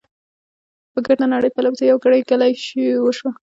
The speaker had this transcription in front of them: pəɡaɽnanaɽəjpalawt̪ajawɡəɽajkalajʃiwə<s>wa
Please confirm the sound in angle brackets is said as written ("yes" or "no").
no